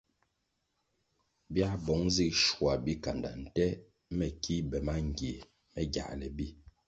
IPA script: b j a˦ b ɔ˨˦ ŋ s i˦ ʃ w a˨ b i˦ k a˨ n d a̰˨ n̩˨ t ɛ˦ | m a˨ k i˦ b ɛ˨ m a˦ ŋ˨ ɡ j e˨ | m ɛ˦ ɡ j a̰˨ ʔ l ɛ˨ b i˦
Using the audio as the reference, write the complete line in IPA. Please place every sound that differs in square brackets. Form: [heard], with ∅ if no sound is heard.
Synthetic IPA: b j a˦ b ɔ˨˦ ŋ [z] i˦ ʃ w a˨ b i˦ k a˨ n d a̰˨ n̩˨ t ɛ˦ | m [ɛ˨] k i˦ b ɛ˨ m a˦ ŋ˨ ɡ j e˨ | m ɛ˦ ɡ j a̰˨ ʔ l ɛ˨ b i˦